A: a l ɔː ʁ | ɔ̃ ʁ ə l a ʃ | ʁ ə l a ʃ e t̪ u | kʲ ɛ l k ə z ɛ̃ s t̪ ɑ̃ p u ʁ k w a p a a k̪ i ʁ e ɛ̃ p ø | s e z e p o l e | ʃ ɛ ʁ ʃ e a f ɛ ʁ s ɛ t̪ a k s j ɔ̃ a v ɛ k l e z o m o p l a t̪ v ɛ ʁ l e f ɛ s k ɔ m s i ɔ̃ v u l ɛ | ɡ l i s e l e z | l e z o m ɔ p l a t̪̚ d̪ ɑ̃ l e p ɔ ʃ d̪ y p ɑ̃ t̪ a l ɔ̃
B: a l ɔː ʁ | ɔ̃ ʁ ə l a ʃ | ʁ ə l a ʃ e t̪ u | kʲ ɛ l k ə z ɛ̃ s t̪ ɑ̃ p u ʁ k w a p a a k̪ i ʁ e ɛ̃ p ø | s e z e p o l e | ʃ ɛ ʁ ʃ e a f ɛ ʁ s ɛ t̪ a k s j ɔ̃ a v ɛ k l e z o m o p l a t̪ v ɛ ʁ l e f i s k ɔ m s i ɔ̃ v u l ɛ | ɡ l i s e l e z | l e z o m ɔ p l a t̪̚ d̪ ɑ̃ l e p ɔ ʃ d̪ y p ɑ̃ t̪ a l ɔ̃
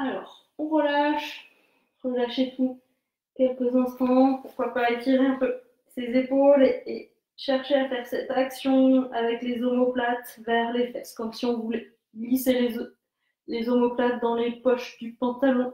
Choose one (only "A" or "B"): A